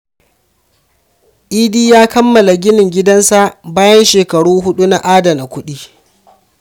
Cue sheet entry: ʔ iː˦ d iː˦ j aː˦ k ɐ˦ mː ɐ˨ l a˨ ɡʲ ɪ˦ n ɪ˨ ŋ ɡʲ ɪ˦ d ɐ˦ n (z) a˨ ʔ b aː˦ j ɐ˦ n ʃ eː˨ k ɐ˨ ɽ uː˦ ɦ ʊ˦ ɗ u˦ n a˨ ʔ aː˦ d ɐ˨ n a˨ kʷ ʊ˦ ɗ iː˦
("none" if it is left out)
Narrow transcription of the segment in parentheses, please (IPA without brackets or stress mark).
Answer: s